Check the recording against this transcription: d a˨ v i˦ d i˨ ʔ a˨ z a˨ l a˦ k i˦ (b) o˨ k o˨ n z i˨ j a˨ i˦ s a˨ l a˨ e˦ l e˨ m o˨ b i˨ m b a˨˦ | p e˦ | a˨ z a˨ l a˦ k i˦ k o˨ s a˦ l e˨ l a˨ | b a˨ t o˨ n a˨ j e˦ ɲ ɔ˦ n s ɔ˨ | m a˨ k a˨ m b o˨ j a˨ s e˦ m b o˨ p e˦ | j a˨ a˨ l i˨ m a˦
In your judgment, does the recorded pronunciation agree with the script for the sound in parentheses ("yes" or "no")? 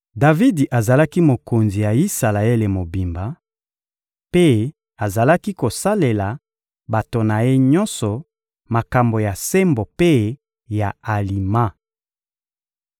no